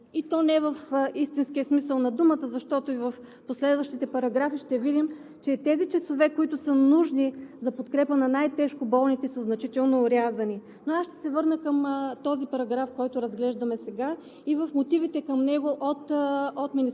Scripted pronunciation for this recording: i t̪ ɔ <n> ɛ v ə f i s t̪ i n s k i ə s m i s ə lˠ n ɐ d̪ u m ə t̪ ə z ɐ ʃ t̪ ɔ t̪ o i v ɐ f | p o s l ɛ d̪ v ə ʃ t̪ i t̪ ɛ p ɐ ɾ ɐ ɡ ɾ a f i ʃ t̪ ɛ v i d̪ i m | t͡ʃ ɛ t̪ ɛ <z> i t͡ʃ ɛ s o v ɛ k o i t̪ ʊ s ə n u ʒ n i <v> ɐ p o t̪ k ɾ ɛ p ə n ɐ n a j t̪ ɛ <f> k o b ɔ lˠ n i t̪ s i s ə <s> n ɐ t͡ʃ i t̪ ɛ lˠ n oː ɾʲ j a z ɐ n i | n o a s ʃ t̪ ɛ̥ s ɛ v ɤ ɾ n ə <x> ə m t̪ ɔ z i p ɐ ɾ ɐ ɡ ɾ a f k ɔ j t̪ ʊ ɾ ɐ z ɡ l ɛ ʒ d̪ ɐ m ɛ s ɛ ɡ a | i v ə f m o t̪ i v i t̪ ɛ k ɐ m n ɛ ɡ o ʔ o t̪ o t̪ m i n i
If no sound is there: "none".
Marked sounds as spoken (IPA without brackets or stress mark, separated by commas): n, z, z, ʃ, z, k